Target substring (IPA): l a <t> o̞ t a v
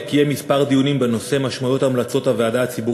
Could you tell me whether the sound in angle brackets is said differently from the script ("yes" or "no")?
yes